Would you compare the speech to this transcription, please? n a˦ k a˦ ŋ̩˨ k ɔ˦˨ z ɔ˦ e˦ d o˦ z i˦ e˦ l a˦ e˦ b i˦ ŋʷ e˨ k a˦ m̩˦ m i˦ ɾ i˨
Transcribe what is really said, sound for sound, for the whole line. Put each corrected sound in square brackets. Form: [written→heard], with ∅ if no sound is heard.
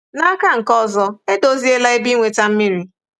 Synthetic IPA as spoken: n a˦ k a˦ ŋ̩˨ k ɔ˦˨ z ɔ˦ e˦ d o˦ z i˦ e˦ l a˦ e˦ b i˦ ŋʷ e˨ [k→t] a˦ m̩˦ m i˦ ɾ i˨